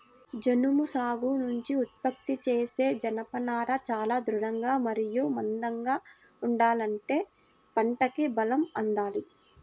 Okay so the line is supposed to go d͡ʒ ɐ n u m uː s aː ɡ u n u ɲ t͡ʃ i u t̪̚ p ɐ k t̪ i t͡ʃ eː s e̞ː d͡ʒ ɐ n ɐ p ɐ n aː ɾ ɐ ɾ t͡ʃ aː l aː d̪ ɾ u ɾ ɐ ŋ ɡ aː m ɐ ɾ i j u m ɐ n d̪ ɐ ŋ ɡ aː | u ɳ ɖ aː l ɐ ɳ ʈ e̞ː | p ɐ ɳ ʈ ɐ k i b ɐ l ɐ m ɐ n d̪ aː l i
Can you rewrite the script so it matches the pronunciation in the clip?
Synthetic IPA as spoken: d͡ʒ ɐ n u m u s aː ɡ u n u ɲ t͡ʃ i u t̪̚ p ɐ k t̪ i t͡ʃ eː s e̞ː d͡ʒ ɐ n ɐ p ɐ n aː ɾ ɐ t͡ʃ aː l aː d̪ ɾ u ɾ ɐ ŋ ɡ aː m ɐ ɾ i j u m ɐ n d̪ ɐ ŋ ɡ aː | u ɳ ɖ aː l ɐ ɳ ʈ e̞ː | p ɐ ɳ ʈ ɐ k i b ɐ l ɐ m ɐ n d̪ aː l i